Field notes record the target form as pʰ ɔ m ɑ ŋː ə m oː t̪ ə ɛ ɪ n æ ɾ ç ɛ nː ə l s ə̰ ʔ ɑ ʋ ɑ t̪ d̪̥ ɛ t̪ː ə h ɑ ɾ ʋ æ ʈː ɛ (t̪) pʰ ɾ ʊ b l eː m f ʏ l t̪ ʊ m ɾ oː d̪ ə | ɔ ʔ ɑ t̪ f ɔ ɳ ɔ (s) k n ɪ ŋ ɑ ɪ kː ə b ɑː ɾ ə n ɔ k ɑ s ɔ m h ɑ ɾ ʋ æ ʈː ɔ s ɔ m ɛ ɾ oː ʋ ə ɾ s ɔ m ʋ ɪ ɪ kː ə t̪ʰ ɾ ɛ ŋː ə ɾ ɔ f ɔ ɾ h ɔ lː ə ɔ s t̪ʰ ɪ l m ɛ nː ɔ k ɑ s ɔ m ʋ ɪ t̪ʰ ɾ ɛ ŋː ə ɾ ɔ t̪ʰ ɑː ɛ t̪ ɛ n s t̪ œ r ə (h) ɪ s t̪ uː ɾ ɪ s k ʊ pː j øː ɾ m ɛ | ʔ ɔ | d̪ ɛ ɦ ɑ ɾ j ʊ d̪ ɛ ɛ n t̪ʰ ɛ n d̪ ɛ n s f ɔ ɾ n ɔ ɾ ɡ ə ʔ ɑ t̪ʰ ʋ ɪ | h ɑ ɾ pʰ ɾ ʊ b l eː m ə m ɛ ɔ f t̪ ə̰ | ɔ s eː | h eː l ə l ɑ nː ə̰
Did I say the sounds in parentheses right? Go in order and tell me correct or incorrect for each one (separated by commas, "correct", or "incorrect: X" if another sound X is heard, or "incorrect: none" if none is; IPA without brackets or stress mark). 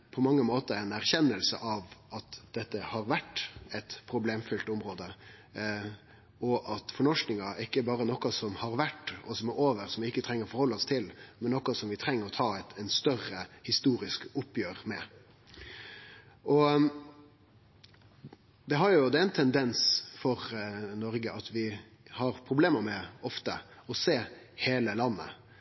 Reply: correct, incorrect: ʂ, correct